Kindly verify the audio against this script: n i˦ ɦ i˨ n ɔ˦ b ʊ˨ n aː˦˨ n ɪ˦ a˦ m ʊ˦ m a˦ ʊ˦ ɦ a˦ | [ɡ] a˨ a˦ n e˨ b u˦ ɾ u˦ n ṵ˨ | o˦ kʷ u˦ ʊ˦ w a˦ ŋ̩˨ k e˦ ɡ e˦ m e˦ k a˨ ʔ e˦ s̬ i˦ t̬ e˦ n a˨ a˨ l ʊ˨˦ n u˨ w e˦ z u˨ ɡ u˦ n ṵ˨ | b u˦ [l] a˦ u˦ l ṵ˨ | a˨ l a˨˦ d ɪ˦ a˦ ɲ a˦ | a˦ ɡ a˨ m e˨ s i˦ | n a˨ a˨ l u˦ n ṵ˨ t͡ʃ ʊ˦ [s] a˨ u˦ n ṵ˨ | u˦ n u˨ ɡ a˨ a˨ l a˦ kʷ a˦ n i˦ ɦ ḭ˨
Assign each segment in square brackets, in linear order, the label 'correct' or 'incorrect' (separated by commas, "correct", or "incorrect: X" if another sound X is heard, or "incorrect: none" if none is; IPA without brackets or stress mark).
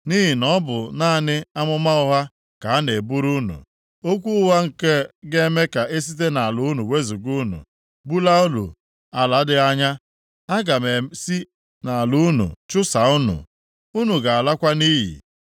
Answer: incorrect: k, correct, correct